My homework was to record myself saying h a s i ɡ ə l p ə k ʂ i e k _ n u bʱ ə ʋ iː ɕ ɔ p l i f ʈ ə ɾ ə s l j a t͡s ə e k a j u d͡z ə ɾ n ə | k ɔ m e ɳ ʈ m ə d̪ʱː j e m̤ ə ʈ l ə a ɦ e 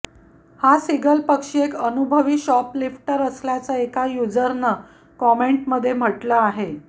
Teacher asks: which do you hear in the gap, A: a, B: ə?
B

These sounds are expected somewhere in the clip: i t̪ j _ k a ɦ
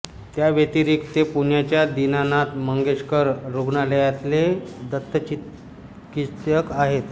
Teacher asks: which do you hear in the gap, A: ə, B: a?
A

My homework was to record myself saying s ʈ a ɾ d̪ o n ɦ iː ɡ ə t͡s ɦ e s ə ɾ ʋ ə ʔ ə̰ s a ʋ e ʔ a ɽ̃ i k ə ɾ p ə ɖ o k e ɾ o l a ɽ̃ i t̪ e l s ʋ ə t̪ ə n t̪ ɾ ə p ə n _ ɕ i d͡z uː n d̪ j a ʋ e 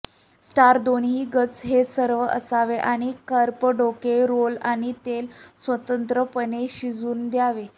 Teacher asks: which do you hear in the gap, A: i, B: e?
B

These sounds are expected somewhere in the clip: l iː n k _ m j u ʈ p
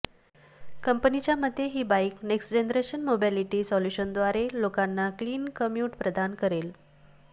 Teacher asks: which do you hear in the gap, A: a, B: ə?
B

